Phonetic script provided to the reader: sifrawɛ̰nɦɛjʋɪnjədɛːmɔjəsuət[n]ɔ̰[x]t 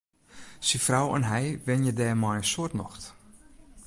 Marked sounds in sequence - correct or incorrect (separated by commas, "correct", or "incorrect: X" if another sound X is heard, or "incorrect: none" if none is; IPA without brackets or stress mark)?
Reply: correct, correct